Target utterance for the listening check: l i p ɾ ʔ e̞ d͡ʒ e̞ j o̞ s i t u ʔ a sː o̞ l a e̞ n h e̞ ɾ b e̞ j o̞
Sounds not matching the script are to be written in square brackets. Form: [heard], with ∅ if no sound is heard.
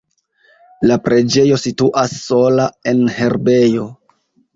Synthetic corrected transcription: l [a] p ɾ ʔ e̞ d͡ʒ e̞ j o̞ s i t u ʔ a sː o̞ l a e̞ n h e̞ ɾ b e̞ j o̞